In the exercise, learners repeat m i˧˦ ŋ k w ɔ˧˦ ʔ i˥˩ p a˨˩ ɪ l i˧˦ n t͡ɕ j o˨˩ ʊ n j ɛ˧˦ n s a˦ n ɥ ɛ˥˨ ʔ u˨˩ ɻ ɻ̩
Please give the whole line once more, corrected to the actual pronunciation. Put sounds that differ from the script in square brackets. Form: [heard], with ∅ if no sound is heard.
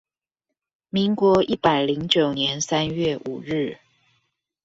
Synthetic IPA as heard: m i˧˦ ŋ k w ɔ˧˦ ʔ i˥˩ p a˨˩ ɪ l i˧˦ [ŋ] t͡ɕ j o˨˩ ʊ n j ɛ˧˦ n s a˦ n ɥ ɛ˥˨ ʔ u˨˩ ɻ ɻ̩